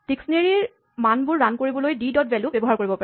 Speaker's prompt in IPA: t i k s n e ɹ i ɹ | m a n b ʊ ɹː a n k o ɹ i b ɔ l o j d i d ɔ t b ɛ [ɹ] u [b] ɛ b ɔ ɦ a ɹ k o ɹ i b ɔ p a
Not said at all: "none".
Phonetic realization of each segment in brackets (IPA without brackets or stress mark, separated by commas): l, b